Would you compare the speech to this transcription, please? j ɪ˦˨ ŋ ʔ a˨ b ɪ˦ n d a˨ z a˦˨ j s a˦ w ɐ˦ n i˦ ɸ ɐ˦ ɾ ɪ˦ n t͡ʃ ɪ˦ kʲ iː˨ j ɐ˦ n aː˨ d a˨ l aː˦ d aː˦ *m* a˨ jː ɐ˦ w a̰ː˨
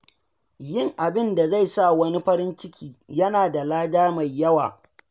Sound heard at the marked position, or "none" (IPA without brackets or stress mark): m